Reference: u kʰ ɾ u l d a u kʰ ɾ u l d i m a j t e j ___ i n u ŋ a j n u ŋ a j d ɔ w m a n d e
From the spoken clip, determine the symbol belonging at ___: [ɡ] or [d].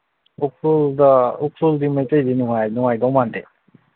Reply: d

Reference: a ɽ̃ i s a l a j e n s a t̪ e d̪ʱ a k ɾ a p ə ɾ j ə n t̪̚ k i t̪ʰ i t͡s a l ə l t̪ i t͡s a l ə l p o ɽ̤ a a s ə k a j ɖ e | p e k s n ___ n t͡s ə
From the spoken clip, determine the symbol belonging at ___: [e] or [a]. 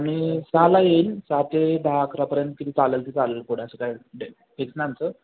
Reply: a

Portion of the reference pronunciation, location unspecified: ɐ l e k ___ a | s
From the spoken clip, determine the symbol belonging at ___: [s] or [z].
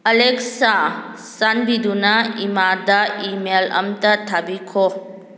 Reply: s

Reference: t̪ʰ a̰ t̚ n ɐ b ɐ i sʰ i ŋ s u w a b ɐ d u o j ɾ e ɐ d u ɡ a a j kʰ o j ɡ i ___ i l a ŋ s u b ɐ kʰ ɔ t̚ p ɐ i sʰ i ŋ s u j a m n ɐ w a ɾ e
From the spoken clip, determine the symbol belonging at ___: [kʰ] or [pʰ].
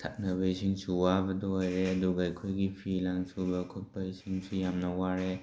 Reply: pʰ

